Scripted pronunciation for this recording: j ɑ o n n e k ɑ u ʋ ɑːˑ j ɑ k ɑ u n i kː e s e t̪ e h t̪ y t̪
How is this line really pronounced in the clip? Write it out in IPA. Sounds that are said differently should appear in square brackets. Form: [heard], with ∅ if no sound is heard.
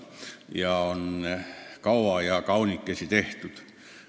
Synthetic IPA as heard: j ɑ o n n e k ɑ u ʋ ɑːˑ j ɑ k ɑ u n i kː e s [i] t̪ e h t̪ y t̪